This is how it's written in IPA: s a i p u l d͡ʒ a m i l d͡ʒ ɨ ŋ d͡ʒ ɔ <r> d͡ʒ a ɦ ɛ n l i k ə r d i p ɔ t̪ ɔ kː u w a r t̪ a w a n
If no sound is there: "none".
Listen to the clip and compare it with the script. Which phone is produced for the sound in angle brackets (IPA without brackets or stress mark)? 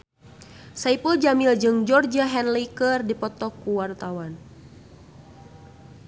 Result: r